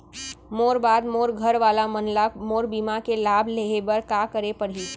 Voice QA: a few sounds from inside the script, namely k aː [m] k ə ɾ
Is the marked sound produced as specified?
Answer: no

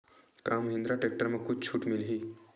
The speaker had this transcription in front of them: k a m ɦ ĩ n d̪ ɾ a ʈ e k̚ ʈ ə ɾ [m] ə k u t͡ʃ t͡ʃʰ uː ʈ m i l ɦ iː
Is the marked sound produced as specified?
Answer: yes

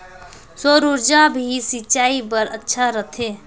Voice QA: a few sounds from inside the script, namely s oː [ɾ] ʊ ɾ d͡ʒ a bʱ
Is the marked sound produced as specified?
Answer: yes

